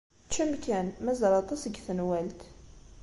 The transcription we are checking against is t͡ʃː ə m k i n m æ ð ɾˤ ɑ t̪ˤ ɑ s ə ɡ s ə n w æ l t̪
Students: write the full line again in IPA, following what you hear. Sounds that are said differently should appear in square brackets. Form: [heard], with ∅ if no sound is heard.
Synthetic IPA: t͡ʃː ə m k [æ] n m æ [z] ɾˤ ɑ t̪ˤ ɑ s ə ɡ [θ] ə n w æ l t̪